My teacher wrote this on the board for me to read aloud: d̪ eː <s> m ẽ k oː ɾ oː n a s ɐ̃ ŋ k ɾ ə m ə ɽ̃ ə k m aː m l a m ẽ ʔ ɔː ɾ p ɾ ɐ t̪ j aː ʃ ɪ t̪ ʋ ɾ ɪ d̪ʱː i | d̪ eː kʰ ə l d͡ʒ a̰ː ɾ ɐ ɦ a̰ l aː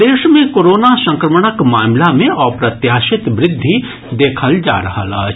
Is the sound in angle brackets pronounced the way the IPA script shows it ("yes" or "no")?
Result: no